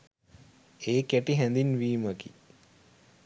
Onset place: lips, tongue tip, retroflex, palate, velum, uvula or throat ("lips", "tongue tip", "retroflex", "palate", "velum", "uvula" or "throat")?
velum